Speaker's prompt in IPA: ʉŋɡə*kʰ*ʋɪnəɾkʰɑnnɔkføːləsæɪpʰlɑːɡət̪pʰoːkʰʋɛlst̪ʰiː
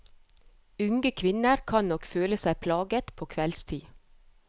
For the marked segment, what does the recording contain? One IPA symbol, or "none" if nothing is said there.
kʰ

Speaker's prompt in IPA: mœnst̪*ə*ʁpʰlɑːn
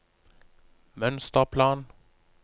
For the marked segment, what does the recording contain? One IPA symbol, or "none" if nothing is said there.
ə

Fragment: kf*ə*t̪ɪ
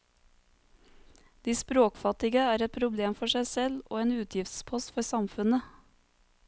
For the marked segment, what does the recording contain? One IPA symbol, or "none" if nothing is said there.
ɑ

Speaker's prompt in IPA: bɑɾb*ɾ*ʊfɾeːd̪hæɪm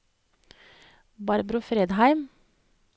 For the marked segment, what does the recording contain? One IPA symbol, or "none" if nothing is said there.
ɾ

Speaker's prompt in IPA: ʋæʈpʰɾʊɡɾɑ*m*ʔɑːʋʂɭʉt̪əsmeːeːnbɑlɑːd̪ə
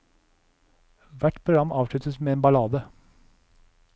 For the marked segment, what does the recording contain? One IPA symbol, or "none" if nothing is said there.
m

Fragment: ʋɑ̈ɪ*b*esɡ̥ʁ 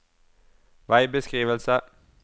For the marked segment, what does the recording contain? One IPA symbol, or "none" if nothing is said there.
b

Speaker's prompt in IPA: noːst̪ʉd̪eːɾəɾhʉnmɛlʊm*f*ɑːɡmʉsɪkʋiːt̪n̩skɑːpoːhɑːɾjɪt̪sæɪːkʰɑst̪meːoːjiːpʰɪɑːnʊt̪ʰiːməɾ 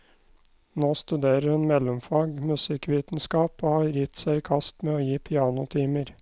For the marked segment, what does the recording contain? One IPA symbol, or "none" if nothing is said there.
f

